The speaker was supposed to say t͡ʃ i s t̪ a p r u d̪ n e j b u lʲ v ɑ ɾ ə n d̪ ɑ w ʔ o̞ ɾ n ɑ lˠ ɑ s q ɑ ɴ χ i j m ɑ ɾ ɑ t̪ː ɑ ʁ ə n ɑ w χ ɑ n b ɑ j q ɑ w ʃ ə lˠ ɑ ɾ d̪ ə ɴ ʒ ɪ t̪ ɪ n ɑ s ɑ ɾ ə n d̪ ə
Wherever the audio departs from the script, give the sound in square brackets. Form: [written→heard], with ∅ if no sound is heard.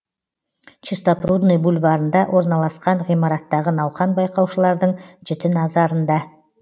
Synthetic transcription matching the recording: t͡ʃ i s t̪ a p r u d̪ n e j b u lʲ v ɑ ɾ ə n d̪ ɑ w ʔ o̞ ɾ n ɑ lˠ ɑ s q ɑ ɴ [χ→ʁ] i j m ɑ ɾ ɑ t̪ː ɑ ʁ ə n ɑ w χ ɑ n b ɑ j q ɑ w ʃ ə lˠ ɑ ɾ d̪ ə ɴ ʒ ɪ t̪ ɪ n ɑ [s→z] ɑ ɾ ə n d̪ [ə→ɑ]